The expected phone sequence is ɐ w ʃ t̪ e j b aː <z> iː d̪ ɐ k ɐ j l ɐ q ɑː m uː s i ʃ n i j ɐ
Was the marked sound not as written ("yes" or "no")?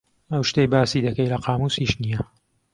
yes